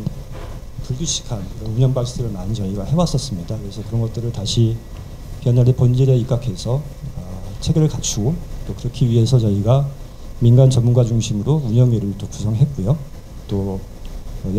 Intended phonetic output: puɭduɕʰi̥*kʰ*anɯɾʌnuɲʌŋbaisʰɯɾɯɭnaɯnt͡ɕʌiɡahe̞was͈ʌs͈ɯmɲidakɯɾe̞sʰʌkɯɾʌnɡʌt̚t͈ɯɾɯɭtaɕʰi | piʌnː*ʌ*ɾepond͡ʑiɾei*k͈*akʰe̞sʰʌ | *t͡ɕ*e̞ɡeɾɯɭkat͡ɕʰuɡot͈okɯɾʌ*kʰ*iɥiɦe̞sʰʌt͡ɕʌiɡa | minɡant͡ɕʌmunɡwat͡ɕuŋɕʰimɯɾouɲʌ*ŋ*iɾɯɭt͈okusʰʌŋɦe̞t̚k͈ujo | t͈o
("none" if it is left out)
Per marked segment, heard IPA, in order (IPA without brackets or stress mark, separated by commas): kʰ, a, k͈, t͡ɕʰ, kʰ, ŋ